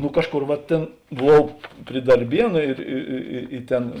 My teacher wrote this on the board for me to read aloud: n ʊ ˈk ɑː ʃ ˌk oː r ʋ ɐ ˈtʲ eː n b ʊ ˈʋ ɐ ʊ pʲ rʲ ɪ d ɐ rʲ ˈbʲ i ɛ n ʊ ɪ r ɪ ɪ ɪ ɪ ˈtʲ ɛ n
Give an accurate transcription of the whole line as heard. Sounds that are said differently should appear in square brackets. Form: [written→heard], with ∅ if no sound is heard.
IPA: n ʊ ˈk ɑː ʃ ˌk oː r ʋ ɐ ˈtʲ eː n b ʊ ˈʋ ɐ ʊ pʲ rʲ ɪ d ɐ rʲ ˈbʲ i ɛ n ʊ ɪ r ɪ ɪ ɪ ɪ ˈtʲ ɛ n